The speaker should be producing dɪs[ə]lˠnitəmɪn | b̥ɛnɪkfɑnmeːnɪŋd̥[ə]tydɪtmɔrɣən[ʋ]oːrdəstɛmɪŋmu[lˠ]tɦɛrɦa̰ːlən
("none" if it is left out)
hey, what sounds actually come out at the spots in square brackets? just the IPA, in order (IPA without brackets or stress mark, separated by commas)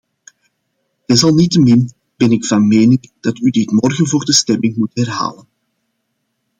ɑ, ɑ, v, none